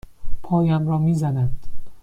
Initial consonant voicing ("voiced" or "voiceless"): voiceless